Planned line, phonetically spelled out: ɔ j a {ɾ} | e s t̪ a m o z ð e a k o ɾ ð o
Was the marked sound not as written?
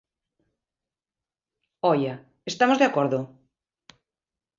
yes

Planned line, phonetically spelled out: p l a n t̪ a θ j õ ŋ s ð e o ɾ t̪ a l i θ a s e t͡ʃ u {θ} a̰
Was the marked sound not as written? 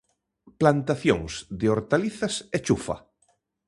yes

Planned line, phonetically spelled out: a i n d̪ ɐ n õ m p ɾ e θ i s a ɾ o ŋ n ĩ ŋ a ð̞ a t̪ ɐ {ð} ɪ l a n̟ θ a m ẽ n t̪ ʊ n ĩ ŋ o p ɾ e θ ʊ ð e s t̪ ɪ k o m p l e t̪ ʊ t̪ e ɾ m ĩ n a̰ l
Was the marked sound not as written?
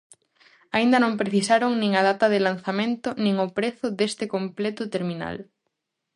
no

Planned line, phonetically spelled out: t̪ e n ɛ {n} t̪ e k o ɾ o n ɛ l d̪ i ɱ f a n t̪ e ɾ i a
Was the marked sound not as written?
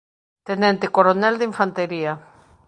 no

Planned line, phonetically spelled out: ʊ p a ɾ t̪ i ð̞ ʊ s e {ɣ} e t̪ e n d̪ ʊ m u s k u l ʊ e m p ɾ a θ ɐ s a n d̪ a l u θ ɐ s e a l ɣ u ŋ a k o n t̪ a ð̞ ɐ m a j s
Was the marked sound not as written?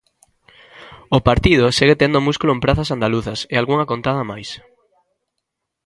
no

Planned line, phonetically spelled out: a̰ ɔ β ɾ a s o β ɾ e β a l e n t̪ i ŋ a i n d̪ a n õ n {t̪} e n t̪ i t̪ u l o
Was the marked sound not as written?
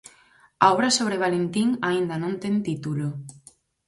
no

